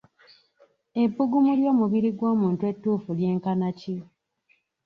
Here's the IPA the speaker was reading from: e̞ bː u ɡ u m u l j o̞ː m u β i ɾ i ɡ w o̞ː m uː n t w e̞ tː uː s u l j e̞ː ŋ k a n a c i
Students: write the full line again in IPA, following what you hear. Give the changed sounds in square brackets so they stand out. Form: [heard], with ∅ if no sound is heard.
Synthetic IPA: e̞ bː u ɡ u m u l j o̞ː m u β i ɾ i ɡ w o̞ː m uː n t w e̞ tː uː [f] u l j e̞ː ŋ k a n a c i